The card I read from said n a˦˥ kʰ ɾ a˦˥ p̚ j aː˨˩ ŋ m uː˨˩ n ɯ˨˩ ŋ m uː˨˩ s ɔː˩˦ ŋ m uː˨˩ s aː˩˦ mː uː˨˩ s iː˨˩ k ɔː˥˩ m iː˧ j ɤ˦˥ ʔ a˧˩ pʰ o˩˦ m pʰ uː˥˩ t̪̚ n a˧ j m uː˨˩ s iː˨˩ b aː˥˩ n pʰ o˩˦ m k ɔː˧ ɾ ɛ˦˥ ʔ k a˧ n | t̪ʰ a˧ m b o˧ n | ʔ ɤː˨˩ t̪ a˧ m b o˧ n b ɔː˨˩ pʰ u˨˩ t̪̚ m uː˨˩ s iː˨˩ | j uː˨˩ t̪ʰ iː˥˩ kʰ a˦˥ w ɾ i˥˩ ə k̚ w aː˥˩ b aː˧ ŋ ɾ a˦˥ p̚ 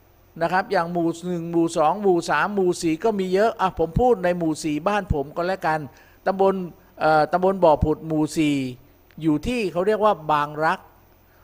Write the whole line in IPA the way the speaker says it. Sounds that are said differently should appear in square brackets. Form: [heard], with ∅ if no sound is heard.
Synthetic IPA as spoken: n a˦˥ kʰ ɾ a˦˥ p̚ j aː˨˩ ŋ m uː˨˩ n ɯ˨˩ ŋ m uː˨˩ s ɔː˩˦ ŋ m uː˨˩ s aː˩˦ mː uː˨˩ s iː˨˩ k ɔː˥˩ m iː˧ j ɤ˦˥ ʔ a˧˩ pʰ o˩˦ m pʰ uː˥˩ t̪̚ n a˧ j m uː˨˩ s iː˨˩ b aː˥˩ n pʰ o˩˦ m k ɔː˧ [l] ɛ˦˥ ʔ k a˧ n | [t̪] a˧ m b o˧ n | ʔ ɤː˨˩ t̪ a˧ m b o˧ n b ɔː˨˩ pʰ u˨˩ t̪̚ m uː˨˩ s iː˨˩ | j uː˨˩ t̪ʰ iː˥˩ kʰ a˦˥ w ɾ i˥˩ ə k̚ w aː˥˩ b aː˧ ŋ ɾ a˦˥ [k̚]